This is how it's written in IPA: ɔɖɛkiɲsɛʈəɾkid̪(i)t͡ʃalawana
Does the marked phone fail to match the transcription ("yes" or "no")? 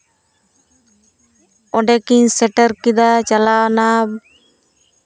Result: yes